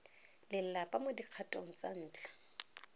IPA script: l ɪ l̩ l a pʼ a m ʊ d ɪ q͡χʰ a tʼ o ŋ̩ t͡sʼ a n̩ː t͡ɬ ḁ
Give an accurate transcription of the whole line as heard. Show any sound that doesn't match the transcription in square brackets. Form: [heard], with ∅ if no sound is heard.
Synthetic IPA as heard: l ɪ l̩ l a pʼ a m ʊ d [i] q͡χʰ a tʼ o ŋ̩ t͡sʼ a n̩ː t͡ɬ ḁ